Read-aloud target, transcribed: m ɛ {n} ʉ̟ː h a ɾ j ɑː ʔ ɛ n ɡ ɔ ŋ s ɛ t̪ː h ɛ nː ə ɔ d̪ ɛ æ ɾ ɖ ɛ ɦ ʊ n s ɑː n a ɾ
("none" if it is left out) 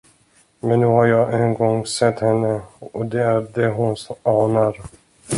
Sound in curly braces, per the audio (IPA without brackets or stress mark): nː